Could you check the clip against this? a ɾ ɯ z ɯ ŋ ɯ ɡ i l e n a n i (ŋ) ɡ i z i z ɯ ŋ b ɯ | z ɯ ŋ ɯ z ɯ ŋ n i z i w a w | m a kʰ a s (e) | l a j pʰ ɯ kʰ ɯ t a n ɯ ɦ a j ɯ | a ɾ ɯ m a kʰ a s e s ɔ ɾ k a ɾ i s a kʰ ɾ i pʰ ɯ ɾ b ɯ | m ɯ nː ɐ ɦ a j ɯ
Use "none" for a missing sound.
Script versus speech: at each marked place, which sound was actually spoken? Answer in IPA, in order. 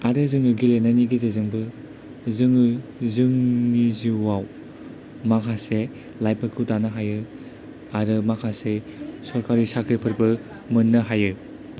none, e

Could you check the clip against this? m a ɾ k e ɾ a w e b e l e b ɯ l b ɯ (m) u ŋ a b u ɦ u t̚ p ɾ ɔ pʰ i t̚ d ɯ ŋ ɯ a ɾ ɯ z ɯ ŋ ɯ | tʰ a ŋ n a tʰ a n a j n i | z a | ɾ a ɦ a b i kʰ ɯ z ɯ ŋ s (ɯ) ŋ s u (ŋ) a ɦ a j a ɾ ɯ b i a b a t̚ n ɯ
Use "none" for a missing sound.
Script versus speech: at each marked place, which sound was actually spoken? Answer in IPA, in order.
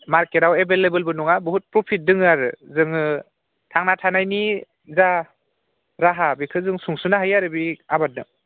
n, u, n

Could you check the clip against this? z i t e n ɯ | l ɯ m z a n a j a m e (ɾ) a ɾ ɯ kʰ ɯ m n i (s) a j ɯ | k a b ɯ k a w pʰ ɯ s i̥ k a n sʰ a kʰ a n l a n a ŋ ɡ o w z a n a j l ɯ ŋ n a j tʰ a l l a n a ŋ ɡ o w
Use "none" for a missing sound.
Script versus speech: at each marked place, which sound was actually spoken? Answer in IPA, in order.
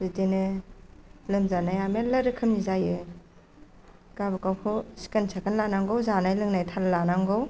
l, z

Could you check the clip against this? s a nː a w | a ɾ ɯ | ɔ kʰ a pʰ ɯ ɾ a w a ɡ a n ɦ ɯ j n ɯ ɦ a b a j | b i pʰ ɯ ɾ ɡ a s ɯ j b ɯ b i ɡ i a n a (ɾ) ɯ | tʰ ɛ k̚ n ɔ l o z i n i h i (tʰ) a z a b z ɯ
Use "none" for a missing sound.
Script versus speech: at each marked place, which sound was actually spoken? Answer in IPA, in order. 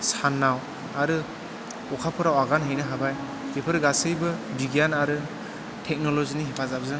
ɾ, pʰ

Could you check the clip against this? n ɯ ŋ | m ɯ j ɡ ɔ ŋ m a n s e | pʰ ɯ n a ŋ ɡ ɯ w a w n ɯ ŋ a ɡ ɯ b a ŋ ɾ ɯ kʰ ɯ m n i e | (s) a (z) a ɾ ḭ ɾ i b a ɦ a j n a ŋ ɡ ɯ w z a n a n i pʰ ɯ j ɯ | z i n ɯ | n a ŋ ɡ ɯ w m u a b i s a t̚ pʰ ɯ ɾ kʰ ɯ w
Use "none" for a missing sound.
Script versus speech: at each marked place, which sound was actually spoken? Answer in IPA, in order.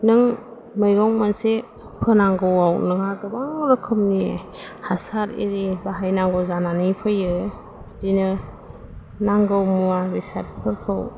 h, s

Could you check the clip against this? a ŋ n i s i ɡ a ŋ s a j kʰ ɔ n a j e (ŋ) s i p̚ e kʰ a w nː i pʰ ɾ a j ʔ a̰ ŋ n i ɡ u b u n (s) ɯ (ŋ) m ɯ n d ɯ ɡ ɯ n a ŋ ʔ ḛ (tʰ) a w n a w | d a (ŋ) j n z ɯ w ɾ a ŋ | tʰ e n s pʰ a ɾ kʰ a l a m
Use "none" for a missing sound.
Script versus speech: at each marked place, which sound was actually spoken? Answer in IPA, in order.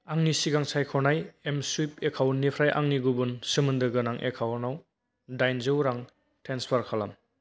m, s, none, kʰ, none

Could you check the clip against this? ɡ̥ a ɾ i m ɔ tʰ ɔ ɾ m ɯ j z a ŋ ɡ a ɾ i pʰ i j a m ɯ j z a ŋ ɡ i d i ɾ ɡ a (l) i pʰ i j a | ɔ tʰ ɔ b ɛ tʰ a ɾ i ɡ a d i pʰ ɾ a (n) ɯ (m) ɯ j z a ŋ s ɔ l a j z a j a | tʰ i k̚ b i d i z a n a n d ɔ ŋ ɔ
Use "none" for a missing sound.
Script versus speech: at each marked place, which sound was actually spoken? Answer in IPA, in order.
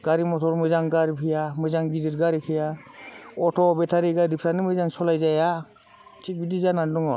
ɾ, n, m

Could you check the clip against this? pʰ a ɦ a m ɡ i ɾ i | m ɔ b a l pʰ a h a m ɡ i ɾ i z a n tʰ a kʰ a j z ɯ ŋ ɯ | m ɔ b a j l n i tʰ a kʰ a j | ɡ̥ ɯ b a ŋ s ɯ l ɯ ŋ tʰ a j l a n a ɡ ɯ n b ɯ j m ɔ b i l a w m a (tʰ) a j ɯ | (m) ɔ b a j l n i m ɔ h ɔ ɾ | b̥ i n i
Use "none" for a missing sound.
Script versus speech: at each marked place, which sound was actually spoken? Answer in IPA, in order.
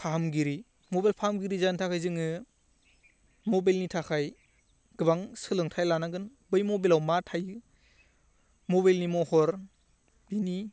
tʰ, m

